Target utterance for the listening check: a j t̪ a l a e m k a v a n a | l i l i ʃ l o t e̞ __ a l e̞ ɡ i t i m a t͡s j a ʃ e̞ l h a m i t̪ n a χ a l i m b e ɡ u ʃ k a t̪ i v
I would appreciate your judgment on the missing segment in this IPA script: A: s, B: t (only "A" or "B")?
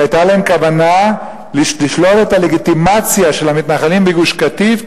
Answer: B